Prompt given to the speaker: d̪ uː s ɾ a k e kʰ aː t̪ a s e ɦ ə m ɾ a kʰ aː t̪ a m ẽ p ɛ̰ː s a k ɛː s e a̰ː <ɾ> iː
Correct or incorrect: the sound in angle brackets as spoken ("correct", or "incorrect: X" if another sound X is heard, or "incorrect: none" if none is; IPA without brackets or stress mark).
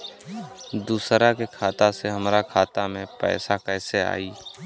incorrect: none